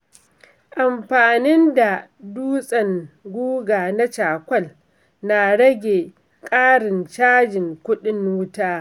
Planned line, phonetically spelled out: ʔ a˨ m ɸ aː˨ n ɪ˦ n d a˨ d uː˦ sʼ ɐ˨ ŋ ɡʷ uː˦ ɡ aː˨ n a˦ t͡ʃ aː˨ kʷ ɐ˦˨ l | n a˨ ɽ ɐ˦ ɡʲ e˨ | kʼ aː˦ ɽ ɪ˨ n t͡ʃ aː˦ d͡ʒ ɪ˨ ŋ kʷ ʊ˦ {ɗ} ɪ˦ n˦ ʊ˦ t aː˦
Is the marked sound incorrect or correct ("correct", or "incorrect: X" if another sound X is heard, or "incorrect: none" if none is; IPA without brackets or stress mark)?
correct